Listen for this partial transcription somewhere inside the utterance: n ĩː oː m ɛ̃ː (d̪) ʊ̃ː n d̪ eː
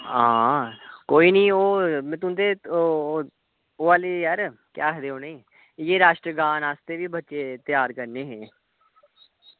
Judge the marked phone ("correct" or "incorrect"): incorrect